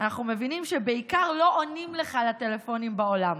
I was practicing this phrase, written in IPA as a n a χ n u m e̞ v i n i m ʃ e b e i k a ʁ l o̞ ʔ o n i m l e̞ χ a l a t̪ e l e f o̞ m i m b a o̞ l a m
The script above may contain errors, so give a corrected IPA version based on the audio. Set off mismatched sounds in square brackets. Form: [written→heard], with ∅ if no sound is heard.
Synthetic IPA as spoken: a n a χ n u m e̞ v i n i m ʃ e b e i k a ʁ l o̞ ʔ o n i m l e̞ χ a l a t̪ e l e f o̞ [m→n] i m b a o̞ l a m